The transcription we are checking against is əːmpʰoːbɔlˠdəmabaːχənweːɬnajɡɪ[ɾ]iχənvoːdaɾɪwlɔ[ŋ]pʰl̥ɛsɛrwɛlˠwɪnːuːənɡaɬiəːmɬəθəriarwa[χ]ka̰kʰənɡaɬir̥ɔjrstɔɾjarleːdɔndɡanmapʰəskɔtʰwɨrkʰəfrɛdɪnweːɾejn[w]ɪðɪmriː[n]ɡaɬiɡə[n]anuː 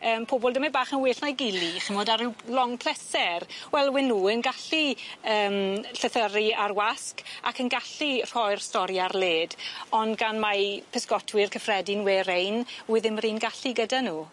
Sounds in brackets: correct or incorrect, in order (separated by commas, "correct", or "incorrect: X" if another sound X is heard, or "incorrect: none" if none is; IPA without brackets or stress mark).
incorrect: l, correct, incorrect: s, correct, correct, incorrect: d